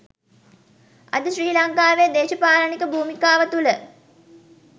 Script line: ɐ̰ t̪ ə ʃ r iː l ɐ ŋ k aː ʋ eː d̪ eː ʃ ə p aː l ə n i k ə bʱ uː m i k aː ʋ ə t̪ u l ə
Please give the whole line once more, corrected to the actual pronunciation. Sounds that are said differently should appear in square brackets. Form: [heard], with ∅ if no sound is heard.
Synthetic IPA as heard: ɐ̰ [d̪] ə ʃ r iː l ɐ ŋ k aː ʋ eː d̪ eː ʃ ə p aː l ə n i k ə bʱ uː m i k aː ʋ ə t̪ u l ə